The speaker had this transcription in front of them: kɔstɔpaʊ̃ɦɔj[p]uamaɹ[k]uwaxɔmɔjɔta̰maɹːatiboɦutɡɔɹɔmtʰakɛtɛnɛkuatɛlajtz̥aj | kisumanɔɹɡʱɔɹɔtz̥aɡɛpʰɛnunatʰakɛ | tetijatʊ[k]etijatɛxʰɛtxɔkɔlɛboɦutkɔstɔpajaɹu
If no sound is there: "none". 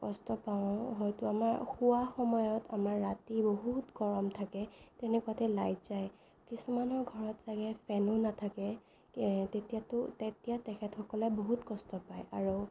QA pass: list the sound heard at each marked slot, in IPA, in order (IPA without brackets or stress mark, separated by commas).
t, x, t